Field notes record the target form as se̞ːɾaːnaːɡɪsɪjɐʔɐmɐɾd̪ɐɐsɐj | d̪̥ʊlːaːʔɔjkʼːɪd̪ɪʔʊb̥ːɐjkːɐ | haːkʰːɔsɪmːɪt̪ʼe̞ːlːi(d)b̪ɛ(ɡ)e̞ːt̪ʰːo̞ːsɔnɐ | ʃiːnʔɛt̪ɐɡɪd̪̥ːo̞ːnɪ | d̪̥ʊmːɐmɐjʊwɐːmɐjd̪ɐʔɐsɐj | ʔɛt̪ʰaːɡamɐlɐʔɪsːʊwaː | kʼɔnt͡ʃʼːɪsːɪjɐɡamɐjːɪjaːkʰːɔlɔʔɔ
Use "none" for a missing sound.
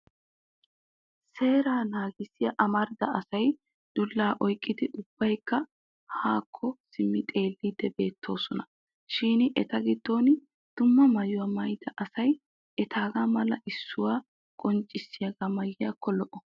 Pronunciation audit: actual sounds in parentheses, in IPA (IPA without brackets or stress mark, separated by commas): d, b